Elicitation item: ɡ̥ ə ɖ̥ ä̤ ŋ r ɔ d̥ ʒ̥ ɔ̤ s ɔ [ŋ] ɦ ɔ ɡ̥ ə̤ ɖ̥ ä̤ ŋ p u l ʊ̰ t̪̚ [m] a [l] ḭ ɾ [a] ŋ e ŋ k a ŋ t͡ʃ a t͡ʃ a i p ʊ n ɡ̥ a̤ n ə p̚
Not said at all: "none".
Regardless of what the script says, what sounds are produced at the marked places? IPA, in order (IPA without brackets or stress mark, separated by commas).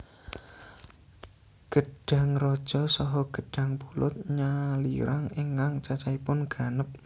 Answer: none, ɲ, l, a